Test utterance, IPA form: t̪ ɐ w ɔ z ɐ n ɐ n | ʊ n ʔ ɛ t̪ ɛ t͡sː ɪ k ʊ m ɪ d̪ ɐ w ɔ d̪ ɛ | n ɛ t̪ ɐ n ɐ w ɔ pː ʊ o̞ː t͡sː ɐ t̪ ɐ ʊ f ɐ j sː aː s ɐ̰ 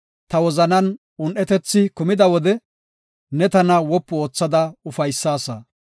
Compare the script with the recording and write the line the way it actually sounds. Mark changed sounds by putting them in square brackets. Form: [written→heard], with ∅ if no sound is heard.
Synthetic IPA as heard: t̪ ɐ w ɔ z ɐ n ɐ n | ʊ n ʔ ɛ t̪ ɛ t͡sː ɪ k ʊ m ɪ d̪ ɐ w ɔ d̪ ɛ | n ɛ t̪ ɐ n ɐ w ɔ pː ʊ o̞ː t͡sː ɐ [t̪→d̪] ɐ ʊ f ɐ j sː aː s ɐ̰